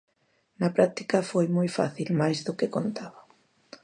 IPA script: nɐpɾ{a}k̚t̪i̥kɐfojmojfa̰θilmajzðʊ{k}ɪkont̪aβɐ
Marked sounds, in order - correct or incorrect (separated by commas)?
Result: correct, correct